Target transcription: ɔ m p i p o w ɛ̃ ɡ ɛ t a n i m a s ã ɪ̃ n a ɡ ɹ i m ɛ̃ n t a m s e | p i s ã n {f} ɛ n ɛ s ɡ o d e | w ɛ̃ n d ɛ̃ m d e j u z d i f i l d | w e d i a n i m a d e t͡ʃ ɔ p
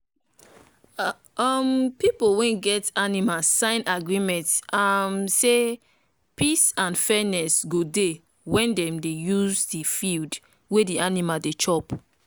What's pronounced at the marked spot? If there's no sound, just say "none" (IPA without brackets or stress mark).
f